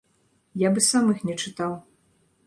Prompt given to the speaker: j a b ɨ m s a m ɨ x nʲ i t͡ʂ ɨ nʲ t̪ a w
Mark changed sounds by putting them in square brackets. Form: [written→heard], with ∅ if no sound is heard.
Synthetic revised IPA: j a b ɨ [m→∅] s a m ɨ x nʲ [i→ɛ] t͡ʂ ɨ [nʲ→∅] t̪ a w